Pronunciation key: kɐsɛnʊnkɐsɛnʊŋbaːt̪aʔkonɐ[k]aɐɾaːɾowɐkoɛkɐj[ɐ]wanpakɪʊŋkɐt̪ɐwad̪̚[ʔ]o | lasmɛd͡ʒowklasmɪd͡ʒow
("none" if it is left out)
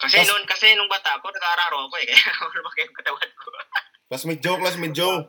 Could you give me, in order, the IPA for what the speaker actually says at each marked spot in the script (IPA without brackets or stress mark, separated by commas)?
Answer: ɡ, a, k